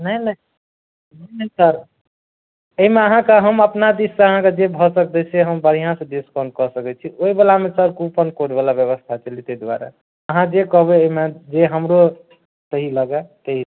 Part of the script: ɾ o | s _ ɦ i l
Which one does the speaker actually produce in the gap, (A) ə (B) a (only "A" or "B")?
A